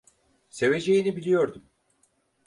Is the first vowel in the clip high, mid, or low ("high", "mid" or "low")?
mid